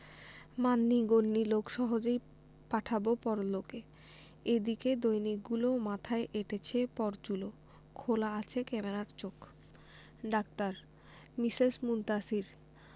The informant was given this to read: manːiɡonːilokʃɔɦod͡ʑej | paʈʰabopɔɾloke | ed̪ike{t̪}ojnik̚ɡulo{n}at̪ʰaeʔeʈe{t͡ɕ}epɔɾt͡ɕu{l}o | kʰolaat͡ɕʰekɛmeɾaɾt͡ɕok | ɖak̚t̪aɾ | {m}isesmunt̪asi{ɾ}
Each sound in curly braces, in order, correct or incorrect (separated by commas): incorrect, incorrect, incorrect, correct, correct, correct